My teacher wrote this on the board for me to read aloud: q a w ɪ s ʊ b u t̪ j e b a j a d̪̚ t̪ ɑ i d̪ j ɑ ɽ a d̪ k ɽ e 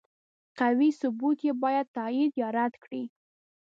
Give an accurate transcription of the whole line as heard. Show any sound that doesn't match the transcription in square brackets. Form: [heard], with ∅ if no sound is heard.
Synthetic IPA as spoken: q a w [i] s ʊ b u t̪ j e b [ɑ] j a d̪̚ t̪ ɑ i d̪ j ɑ [ɾ] a d̪ k ɽ [i]